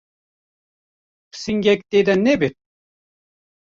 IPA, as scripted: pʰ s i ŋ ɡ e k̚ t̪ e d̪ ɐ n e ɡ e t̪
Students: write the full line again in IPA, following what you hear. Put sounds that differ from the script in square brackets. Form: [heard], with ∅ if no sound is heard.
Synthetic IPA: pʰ s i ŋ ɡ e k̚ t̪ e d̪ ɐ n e [b] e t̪